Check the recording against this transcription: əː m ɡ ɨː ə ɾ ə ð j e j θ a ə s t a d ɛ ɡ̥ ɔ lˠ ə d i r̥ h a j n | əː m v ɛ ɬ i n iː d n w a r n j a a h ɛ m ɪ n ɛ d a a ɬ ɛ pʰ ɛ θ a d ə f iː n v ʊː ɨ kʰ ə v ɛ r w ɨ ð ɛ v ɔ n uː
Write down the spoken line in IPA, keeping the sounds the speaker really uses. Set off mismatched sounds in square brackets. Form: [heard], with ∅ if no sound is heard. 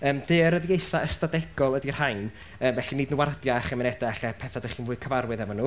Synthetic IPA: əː m [d] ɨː ə ɾ ə ð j e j θ a ə s t a d ɛ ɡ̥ ɔ lˠ ə d i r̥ h a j n | əː m v ɛ ɬ i n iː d n w a r [d] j a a [χ] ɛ m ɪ n ɛ d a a ɬ ɛ pʰ ɛ θ a d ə [χ] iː n v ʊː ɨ kʰ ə v [a] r w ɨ ð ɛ v ɔ n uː